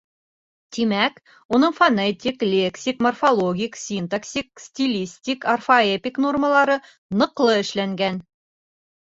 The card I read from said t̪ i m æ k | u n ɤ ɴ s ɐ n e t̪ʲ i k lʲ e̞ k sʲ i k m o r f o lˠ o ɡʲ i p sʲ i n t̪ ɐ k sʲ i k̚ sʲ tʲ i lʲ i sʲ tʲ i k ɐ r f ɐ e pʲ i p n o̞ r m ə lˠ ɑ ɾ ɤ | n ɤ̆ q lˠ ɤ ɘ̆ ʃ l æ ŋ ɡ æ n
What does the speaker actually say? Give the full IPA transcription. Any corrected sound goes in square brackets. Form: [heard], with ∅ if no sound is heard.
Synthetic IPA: t̪ i m æ k | u n ɤ ɴ [f] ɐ n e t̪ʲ i k lʲ e̞ k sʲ i k m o r f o lˠ o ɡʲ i [k] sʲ i n t̪ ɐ k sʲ i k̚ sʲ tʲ i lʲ i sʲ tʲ i k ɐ r f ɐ e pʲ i [k] n o̞ r m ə lˠ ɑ ɾ ɤ | n ɤ̆ q lˠ ɤ ɘ̆ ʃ l æ ŋ ɡ æ n